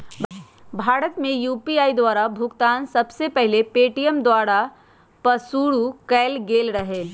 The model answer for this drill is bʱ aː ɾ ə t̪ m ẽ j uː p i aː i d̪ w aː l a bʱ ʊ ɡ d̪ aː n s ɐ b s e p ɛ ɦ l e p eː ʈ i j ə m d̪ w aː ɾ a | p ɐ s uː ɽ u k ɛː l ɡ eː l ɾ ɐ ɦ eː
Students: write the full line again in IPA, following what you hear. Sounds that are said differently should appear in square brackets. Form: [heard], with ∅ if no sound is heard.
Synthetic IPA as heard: bʱ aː ɾ ə t̪ m ẽ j uː p i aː i d̪ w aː [ɾ] a bʱ ʊ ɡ [t̪] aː n s ɐ b s e p ɛ ɦ l e p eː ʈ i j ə m d̪ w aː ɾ a | p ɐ s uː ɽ u k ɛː l ɡ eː l ɾ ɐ ɦ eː